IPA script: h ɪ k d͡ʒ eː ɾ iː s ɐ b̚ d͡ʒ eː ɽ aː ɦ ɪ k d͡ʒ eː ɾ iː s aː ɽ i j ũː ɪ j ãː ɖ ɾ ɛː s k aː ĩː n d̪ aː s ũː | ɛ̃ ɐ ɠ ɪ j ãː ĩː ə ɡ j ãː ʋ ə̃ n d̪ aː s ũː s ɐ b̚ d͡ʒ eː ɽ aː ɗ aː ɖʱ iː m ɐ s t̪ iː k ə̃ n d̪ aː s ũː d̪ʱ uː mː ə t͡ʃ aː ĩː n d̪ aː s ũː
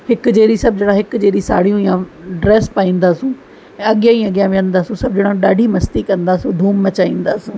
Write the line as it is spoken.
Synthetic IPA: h ɪ k d͡ʒ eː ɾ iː s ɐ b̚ d͡ʒ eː ɽ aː ɦ ɪ k d͡ʒ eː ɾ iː s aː ɽ i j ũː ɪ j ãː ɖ ɾ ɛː s p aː ĩː n d̪ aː s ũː | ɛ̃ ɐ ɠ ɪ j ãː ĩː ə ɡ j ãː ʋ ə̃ n d̪ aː s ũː s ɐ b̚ d͡ʒ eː ɽ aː ɗ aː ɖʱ iː m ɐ s t̪ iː k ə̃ n d̪ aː s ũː d̪ʱ uː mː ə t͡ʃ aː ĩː n d̪ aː s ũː